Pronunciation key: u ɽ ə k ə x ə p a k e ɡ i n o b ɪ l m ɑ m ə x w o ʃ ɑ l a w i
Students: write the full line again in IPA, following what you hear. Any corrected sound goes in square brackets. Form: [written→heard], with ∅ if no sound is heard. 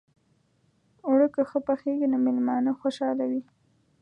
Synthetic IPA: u ɽ ə k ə x ə p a [k→x] e ɡ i n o [b→m] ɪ l m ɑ [m→n] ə x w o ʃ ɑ l a w i

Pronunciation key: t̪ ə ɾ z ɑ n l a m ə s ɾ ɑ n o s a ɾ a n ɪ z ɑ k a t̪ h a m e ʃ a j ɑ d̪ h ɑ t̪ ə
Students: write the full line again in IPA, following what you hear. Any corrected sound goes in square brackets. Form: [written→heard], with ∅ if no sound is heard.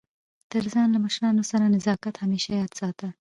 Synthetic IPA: t̪ ə ɾ z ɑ n l a m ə [s→ʃ] ɾ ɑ n o s a ɾ a n ɪ z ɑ k a t̪ h a m e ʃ a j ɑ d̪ [h→s] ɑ t̪ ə

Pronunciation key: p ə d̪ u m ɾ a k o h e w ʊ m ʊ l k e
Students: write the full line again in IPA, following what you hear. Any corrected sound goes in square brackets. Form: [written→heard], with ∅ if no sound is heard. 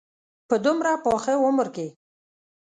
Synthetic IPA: p ə d̪ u m ɾ a [k→p] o [h→x] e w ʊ m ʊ [l→ɾ] k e

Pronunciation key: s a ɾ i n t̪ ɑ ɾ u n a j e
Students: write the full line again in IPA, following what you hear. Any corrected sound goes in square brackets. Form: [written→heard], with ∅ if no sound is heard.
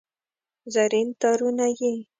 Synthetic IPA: [s→z] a ɾ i n t̪ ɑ ɾ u n a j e

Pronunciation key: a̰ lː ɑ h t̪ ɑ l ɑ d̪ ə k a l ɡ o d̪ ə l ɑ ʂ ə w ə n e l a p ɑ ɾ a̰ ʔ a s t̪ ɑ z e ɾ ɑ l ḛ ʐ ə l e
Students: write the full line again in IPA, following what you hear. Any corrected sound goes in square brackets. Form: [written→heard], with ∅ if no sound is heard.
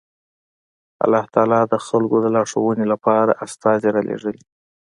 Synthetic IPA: a̰ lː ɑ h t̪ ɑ l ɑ d̪ ə [k→x] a l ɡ o d̪ ə l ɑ ʂ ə w ə n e l a p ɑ ɾ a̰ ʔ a s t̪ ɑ z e ɾ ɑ l ḛ ʐ ə l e

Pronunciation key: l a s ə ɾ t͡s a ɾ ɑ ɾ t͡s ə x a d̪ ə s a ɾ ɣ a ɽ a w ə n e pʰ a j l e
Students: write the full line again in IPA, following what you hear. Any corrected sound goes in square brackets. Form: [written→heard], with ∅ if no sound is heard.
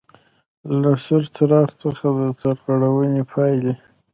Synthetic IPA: l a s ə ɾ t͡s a ɾ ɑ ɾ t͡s ə x a d̪ ə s a ɾ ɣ a ɽ a w ə n e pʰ [a→ɑ] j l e

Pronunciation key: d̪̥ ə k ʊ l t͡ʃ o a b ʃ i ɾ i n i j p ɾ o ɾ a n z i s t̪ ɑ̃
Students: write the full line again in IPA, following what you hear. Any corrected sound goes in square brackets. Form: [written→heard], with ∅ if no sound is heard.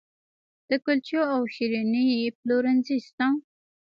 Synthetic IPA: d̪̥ ə k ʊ l t͡ʃ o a [b→w] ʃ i ɾ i n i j p [ɾ→l] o ɾ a n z i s t̪ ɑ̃

